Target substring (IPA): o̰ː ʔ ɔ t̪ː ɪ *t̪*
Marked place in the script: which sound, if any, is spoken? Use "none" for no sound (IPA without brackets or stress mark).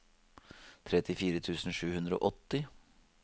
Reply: none